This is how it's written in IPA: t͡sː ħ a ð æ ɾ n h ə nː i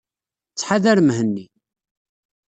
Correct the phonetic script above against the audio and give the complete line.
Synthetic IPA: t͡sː ħ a ð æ ɾ m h ə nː i

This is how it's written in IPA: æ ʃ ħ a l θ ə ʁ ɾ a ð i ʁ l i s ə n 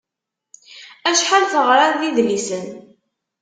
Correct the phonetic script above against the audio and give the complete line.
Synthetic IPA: æ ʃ ħ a l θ ə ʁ ɾ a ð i ð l i s ə n

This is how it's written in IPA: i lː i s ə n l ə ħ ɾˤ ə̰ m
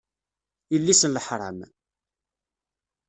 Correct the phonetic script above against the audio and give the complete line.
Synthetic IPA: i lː i s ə n l ə ħ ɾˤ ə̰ m

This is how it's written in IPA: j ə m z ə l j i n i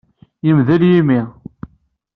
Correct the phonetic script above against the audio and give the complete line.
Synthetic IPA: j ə m ð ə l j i m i

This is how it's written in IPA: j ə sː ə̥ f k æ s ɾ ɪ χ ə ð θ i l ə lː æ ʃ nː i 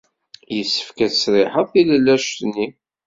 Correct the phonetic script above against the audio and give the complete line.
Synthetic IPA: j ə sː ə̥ f k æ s ɾ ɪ ħ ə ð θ i l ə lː æ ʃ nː i

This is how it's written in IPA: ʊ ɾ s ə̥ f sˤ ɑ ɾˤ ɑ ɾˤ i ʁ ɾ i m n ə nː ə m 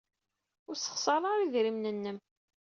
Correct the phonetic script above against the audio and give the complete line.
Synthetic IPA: ʊ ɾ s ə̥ χ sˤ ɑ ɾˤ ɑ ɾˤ i ð ɾ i m n ə nː ə m

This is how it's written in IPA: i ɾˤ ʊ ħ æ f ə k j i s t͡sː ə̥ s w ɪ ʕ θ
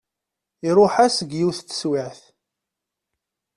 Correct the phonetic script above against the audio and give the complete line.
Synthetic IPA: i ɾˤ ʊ ħ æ s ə ɡ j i θ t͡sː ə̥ s w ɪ ʕ θ

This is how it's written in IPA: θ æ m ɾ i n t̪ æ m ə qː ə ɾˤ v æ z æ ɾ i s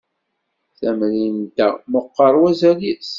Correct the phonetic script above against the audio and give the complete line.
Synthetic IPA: θ æ m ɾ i n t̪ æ m ə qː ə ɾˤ w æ z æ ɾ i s

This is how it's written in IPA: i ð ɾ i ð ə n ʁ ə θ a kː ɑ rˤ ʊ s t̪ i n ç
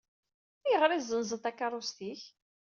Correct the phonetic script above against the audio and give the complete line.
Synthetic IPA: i ʁ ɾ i z ə n z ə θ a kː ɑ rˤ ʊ s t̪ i ç

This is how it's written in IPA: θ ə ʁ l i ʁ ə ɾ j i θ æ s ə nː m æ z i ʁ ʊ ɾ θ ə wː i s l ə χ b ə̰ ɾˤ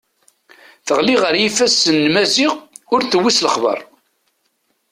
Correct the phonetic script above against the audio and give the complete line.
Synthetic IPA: θ ə ʁ l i ʁ ə ɾ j i f æ s ə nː m æ z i ʁ ʊ ɾ θ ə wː i s l ə χ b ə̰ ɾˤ

